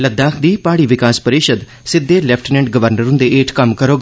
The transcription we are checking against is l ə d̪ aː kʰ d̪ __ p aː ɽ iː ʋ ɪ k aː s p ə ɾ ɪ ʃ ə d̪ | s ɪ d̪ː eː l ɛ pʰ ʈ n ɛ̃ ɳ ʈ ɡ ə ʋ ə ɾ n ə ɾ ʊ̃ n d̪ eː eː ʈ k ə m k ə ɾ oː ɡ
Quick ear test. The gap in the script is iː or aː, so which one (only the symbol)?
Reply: iː